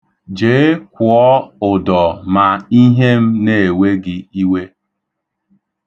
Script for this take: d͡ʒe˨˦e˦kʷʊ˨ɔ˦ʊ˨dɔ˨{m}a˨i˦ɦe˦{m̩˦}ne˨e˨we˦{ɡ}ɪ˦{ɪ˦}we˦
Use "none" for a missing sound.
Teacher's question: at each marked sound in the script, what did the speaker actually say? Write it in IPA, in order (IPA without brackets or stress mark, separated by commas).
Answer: m, m̩˦, ɡ, i˦